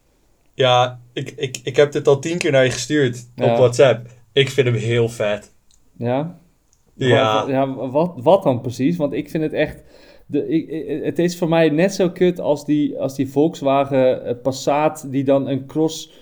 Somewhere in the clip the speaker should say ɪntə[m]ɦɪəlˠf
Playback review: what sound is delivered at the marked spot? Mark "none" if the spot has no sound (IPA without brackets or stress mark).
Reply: m